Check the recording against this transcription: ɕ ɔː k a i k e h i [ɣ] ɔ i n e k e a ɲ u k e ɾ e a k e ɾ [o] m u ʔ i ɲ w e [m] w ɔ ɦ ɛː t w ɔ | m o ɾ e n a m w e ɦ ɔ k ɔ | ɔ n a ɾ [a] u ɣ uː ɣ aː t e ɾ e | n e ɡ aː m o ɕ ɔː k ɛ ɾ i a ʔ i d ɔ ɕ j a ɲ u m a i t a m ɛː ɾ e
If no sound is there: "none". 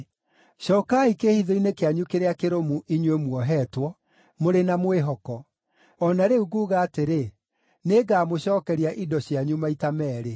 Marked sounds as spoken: ð, o, m, e

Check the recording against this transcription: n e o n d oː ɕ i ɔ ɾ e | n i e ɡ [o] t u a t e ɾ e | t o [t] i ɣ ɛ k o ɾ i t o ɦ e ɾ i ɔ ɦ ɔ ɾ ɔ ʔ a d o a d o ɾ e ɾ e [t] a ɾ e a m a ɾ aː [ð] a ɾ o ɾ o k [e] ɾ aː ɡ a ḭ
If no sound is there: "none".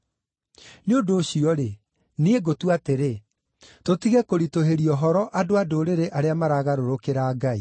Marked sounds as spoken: o, t, ʔ, ɣ, e

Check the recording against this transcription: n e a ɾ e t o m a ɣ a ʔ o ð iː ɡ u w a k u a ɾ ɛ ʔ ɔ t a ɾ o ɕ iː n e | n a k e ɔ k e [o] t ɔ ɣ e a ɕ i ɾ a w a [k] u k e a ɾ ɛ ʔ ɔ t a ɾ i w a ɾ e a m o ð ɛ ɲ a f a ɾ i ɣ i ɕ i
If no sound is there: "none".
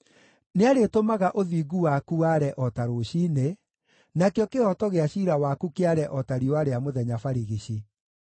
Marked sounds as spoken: ɔ, k

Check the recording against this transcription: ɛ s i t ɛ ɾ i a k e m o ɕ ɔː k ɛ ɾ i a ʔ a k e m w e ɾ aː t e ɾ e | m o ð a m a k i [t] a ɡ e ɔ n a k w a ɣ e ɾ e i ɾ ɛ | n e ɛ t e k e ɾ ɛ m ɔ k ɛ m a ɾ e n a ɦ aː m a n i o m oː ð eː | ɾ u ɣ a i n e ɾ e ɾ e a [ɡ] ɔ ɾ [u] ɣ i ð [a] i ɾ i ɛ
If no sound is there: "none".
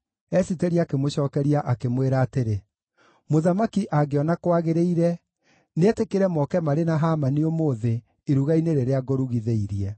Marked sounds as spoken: ʔ, ɡ, u, e

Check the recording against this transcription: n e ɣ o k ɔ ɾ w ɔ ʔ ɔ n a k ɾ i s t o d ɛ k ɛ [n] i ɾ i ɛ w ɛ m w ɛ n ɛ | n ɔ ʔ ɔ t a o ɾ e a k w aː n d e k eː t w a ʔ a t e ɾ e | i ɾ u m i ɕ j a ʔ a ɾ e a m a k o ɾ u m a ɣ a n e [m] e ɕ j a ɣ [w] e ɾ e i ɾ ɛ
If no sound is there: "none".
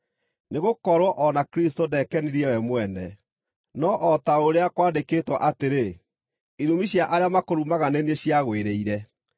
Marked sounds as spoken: n, n, w

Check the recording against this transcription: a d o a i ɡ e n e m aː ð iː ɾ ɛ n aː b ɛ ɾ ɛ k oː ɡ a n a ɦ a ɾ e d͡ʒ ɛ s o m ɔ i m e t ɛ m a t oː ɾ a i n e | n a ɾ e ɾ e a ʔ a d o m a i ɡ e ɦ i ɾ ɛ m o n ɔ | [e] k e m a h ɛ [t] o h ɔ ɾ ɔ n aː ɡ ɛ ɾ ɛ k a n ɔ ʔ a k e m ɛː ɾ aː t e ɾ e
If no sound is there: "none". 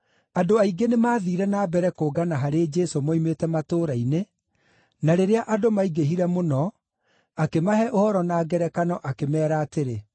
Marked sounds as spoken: a, ʔ

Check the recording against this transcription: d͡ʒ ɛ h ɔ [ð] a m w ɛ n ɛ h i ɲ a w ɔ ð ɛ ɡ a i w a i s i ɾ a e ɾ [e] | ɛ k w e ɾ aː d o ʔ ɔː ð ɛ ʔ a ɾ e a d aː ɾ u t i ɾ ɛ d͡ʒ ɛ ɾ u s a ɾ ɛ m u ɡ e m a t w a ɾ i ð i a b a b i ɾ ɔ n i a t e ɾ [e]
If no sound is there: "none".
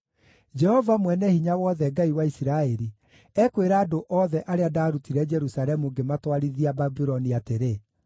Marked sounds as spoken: v, i, e

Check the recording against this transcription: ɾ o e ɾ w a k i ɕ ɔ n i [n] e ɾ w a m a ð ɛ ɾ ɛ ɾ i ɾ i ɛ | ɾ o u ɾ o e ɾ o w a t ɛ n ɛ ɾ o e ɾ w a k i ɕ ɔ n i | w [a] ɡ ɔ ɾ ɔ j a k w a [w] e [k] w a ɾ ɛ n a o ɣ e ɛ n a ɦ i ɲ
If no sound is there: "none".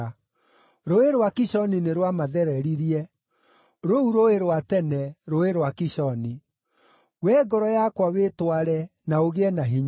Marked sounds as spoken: n, ɛ, w, t

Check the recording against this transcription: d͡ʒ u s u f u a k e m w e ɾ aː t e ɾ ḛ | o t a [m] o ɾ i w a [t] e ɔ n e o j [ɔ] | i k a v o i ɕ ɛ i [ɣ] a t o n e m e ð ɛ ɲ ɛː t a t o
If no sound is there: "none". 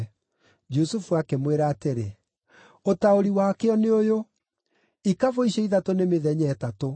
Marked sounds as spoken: none, k, o, ð

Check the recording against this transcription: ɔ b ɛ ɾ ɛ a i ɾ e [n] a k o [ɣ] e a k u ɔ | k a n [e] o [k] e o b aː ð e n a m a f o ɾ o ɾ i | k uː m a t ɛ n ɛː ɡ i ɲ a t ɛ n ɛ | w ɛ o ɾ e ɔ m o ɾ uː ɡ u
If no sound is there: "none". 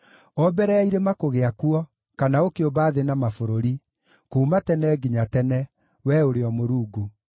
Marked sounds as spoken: m, ɣ, a, k

